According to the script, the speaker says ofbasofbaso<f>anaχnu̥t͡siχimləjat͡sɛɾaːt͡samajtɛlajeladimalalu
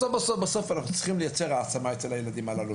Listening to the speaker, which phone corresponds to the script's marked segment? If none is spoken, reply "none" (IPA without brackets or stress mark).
f